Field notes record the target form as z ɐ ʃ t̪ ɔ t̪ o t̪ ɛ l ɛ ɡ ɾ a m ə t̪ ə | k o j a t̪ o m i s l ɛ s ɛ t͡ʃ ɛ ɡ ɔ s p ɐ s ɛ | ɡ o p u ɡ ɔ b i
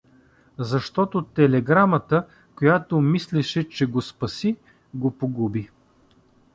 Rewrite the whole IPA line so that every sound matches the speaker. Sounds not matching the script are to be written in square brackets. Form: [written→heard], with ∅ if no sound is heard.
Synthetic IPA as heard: z ɐ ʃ t̪ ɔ t̪ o t̪ ɛ l ɛ ɡ ɾ a m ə t̪ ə | k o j a t̪ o m i s l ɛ [s→ʃ] ɛ t͡ʃ ɛ ɡ [ɔ→o] s p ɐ s [ɛ→i] | ɡ o p [u→o] ɡ [ɔ→u] b i

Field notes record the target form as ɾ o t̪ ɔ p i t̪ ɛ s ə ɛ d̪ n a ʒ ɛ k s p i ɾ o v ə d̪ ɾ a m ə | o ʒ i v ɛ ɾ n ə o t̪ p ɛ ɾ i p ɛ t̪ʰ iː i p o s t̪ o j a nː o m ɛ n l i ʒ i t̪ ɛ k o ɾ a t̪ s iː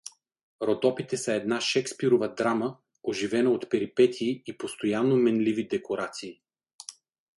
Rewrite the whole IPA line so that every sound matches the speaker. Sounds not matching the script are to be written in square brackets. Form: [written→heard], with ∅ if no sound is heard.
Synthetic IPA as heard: ɾ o [t̪→d̪] ɔ p i t̪ ɛ s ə ɛ d̪ n a [ʒ→ʃ] ɛ k s p i ɾ o v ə d̪ ɾ a m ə | o ʒ i v ɛ [ɾ→∅] n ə o t̪ p ɛ ɾ i p ɛ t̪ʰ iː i p o s t̪ o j a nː o m ɛ n l i [ʒ→v] i [t̪→d̪] ɛ k o ɾ a t̪ s iː

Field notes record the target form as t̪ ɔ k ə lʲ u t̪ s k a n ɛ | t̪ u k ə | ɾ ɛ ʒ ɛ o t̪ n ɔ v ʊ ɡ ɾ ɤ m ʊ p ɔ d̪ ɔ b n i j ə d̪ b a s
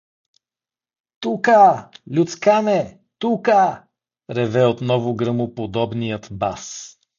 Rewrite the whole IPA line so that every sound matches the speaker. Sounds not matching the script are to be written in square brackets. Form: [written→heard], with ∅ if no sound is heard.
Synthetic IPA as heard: t̪ [ɔ→u] k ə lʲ u t̪ s k a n ɛ | t̪ u k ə | ɾ ɛ [ʒ→v] ɛ o t̪ n ɔ v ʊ ɡ ɾ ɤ m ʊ p [ɔ→o] d̪ ɔ b n i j ə [d̪→t̪] b a s

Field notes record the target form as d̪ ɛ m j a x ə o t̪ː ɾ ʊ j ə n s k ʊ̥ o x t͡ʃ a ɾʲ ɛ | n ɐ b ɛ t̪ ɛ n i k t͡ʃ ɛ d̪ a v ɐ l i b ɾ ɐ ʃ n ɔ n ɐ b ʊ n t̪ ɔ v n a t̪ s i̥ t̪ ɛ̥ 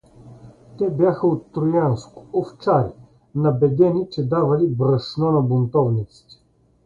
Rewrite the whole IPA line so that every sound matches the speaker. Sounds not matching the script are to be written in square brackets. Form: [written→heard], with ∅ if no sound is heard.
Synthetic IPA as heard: [d̪→t̪] ɛ [m→b] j a x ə o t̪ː ɾ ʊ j [ə→a] n s k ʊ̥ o [x→f] t͡ʃ a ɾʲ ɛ | n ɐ b ɛ [t̪→d̪] ɛ n i [k→∅] t͡ʃ ɛ d̪ a v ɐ l i b ɾ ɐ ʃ n ɔ n ɐ b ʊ n t̪ ɔ v n [a→i] t̪ s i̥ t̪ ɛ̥

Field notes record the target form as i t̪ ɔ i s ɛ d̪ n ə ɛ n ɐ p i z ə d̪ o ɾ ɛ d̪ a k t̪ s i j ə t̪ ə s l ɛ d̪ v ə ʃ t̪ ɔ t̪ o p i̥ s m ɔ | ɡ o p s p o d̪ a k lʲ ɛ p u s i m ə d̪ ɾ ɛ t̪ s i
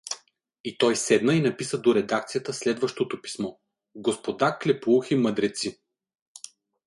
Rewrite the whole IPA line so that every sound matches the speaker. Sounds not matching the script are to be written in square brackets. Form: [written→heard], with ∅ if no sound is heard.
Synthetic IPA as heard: i t̪ ɔ [i→j] s ɛ d̪ n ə [ɛ→i] n ɐ p i [z→s] ə d̪ o ɾ ɛ d̪ a k t̪ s i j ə t̪ ə s l ɛ d̪ v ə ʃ t̪ [ɔ→o] t̪ o p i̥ s m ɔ | ɡ o [p→∅] s p o d̪ a k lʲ ɛ p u [s→x] i m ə d̪ ɾ ɛ t̪ s i

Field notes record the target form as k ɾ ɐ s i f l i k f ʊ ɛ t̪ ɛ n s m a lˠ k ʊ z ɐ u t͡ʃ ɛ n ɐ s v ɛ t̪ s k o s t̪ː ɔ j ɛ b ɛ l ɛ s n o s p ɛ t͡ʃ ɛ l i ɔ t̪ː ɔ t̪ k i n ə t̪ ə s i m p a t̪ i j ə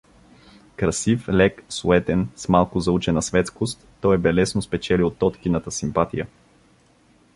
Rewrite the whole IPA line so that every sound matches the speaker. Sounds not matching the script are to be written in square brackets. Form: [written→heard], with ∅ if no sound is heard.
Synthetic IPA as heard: k ɾ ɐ s i f l [i→ɛ] k [f→s] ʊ ɛ t̪ ɛ n s m a lˠ k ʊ z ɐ u t͡ʃ ɛ n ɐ s v ɛ t̪ s k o s t̪ː ɔ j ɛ b ɛ l ɛ s n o s p ɛ t͡ʃ ɛ l i [ɔ→o] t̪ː ɔ t̪ k i n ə t̪ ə s i m p a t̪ i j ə

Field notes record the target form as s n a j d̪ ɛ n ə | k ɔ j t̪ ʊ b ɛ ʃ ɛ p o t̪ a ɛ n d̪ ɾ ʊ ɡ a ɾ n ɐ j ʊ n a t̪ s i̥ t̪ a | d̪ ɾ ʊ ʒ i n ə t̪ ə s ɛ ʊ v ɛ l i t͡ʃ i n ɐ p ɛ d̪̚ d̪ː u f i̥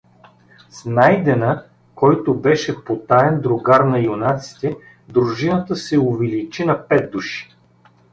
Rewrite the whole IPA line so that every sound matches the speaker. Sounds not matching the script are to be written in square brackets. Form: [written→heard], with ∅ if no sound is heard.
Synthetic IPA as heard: s n a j d̪ ɛ n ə | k ɔ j t̪ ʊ b ɛ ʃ ɛ p o t̪ a ɛ n d̪ ɾ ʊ ɡ a ɾ n ɐ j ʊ n a t̪ s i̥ t̪ [a→ɛ] | d̪ ɾ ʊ ʒ i n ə t̪ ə s ɛ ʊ v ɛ l i t͡ʃ i n ɐ p ɛ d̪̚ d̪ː u [f→ʃ] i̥

